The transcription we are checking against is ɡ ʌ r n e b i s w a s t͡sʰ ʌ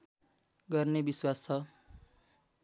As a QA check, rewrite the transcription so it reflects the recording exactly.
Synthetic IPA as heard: ɡ ʌ r n e b i s w a s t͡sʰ ʌ